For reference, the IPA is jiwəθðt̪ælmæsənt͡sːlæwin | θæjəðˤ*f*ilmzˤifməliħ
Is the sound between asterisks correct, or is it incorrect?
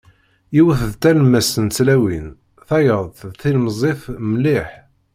incorrect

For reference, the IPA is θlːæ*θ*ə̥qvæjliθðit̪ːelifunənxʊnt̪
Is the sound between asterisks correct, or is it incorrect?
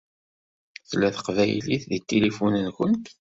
correct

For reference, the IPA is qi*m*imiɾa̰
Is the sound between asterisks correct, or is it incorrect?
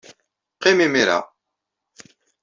correct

